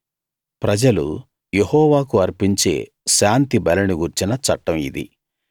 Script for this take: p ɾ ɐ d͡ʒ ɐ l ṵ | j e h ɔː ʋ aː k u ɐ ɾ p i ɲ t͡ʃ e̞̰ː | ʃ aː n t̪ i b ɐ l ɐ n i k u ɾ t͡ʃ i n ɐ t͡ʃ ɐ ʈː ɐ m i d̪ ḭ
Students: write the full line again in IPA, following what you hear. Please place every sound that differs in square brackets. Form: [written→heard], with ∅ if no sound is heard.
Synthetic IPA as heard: p ɾ ɐ d͡ʒ ɐ l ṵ | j e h ɔː ʋ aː k u ɐ ɾ p i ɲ t͡ʃ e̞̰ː | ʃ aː n t̪ i b ɐ l ɐ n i [k→ɡ] u ɾ t͡ʃ i n ɐ t͡ʃ ɐ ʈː ɐ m i d̪ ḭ

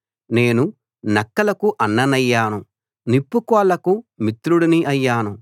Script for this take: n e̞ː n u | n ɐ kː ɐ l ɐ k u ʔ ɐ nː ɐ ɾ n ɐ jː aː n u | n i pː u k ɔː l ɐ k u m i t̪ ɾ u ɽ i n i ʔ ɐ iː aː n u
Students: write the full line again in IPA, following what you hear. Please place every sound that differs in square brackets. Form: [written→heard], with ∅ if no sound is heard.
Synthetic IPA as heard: n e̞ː n u | n ɐ kː ɐ l ɐ k u ʔ ɐ nː ɐ [ɾ→∅] n ɐ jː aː n u | n i pː u k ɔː l ɐ k u m i t̪ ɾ u ɽ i n i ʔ ɐ [iː→jː] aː n u

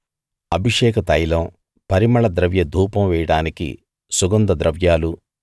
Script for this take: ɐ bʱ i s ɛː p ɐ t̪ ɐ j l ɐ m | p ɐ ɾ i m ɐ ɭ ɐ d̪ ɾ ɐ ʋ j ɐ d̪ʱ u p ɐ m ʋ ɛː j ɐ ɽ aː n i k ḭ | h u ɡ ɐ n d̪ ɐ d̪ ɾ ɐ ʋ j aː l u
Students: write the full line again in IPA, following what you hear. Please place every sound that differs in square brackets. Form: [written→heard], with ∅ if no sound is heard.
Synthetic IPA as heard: ɐ bʱ i [s→ʂ] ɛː [p→k] ɐ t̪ ɐ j l ɐ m | p ɐ ɾ i m ɐ ɭ ɐ d̪ ɾ ɐ ʋ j ɐ d̪ʱ [u→uː] p ɐ m ʋ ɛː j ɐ ɽ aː n i k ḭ | [h→s] u ɡ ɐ n d̪ ɐ d̪ ɾ ɐ ʋ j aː l u

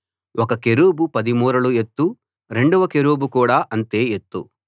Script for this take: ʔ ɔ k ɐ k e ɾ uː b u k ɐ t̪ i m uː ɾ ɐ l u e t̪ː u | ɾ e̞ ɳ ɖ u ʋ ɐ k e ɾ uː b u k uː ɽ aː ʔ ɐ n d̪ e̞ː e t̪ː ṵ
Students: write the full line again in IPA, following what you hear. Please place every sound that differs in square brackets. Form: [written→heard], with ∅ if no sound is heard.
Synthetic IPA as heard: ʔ ɔ k ɐ k e ɾ uː b u [k→p] ɐ [t̪→d̪] i m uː ɾ ɐ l u e t̪ː u | ɾ e̞ ɳ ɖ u ʋ ɐ k e ɾ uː b u k uː ɽ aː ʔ ɐ n [d̪→t̪] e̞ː e t̪ː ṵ

